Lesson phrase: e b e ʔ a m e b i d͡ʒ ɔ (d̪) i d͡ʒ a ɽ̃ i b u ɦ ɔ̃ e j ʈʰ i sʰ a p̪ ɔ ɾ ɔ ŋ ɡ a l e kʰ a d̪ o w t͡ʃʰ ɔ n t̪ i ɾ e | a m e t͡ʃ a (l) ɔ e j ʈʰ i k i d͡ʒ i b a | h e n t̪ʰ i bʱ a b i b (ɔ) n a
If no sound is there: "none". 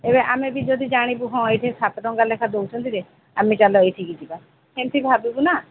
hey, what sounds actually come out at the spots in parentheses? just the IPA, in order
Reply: d̪, l, u

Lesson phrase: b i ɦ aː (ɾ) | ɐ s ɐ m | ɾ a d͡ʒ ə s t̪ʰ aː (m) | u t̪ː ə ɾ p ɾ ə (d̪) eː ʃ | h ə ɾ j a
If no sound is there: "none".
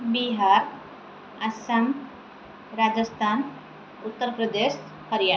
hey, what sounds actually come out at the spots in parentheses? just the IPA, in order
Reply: ɾ, n, d̪

